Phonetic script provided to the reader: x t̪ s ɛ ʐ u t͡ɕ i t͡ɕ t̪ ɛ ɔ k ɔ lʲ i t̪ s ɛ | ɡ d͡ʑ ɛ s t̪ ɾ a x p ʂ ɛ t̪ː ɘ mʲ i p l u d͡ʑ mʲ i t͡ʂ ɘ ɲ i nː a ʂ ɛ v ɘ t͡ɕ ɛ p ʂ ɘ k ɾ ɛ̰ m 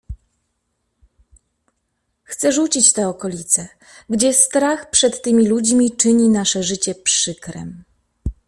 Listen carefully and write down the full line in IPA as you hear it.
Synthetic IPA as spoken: x t̪ s ɛ ʐ u t͡ɕ i t͡ɕ t̪ ɛ ɔ k ɔ lʲ i t̪ s ɛ | ɡ d͡ʑ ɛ s t̪ ɾ a x p ʂ ɛ t̪ː ɘ mʲ i l u d͡ʑ mʲ i t͡ʂ ɘ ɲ i n a ʂ ɛ ʐ ɘ t͡ɕ ɛ p ʂ ɘ k ɾ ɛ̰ m